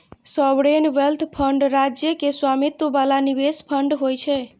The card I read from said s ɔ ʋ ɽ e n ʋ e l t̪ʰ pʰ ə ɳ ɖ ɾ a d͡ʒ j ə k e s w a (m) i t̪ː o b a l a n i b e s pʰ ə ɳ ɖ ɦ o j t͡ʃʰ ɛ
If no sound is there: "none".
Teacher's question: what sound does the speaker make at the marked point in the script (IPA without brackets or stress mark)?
m